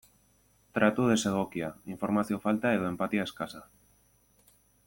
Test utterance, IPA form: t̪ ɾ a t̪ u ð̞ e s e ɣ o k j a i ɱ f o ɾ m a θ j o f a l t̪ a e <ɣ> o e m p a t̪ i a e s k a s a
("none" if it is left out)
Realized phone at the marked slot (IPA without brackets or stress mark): ð